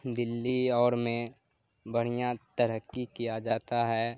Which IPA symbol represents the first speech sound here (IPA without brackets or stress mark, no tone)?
d̪